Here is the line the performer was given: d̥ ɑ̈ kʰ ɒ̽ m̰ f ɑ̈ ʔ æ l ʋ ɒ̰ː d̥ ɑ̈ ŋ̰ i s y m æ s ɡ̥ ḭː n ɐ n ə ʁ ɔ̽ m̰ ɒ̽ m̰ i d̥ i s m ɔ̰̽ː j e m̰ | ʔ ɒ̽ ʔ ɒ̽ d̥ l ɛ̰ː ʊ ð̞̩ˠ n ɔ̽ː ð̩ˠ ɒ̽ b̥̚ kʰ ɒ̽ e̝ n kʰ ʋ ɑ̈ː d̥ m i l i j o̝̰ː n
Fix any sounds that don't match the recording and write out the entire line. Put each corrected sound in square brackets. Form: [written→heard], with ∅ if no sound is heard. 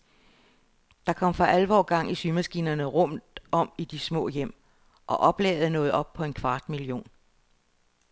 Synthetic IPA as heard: d̥ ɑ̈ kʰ ɒ̽ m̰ f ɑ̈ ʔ æ l ʋ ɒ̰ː [d̥→ɡ̥] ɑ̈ ŋ̰ i s y m æ s ɡ̥ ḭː n ɐ n ə ʁ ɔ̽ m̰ ɒ̽ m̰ i d̥ i s m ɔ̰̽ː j e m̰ | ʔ ɒ̽ ʔ ɒ̽ [d̥→b̥] l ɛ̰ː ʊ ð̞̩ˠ n ɔ̽ː ð̩ˠ ɒ̽ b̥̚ [kʰ→pʰ] ɒ̽ e̝ n kʰ ʋ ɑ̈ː d̥ m i l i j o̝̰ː n